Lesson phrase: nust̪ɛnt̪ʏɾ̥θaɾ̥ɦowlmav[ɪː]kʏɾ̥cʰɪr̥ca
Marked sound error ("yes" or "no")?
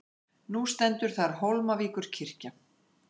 yes